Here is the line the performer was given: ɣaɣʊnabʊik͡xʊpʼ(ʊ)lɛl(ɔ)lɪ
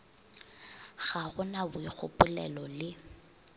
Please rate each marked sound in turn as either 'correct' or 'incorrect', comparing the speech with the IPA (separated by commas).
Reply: correct, correct